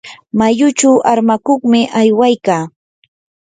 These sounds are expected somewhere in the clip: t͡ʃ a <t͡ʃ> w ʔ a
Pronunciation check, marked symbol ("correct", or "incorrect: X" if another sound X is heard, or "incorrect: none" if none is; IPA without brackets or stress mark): incorrect: none